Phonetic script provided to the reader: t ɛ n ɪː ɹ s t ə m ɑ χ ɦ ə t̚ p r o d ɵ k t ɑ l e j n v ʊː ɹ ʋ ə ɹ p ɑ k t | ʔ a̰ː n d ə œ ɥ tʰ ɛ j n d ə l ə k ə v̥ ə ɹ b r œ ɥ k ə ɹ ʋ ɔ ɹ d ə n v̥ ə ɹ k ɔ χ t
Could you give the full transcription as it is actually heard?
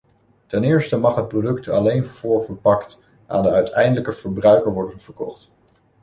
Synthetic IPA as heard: t ɛ n ɪː ɹ s t ə m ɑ χ ɦ ə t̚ p r o d ɵ k t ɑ l e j n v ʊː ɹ v ə ɹ p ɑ k t | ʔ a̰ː n d ə œ ɥ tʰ ɛ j n d ə l ə k ə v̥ ə ɹ b r œ ɥ k ə ɹ ʋ ɔ ɹ d ə n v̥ ə ɹ k ɔ χ t